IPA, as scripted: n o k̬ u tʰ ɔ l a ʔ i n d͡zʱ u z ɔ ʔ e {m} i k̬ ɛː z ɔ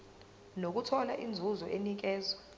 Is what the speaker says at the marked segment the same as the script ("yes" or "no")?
no